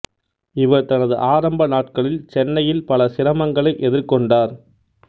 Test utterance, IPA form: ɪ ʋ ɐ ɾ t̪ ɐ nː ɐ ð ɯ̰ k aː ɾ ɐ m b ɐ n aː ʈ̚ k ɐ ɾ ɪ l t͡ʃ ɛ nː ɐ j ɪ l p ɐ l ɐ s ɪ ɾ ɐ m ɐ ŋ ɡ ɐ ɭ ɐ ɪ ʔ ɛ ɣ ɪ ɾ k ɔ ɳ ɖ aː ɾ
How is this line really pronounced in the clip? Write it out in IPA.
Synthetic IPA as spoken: ɪ ʋ ɐ ɾ t̪ ɐ n ɐ ð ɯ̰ ʔ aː ɾ ɐ m b ɐ n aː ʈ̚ k ɐ ɭ ɪ l t͡ʃ ɛ nː ɐ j ɪ l p ɐ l ɐ s ɪ ɾ ɐ m ɐ ŋ ɡ ɐ ɭ ɐ ɪ ʔ ɛ ð ɪ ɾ k ɔ ɳ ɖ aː ɾ